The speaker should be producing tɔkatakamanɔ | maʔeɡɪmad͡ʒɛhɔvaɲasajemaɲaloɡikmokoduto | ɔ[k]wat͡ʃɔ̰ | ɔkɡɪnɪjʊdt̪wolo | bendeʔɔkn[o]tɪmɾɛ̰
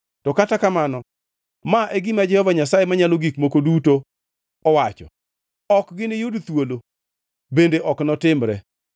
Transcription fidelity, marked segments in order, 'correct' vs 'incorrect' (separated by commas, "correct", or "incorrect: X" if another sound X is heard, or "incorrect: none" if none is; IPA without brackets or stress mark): incorrect: none, incorrect: ɔ